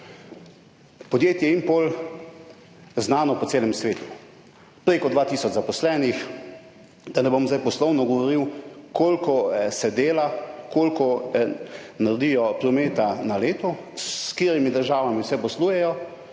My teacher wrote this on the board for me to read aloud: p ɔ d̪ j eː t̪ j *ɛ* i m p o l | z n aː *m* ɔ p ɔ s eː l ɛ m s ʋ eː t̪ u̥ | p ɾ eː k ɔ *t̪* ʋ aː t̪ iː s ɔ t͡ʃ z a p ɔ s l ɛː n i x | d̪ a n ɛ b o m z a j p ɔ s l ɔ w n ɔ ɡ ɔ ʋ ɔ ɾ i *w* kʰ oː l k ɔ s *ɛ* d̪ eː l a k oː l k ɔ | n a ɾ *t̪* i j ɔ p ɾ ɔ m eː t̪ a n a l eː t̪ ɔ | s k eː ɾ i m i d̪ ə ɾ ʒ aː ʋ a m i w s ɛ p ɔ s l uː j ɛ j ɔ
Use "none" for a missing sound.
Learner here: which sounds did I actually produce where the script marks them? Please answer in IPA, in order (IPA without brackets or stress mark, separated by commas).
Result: ɛ, n, d̪, w, ɛ, d̪